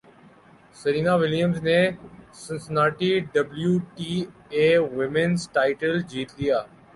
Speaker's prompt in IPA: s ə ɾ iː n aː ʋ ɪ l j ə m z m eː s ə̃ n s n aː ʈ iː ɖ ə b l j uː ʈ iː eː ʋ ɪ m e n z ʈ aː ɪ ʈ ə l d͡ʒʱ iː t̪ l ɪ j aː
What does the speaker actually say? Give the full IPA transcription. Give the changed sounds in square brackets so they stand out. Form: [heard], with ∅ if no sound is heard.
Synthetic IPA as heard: s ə ɾ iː n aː ʋ ɪ l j ə m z [n] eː s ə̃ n s n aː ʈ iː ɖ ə b l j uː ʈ iː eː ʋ ɪ m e n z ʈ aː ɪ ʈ ə l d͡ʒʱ iː t̪ l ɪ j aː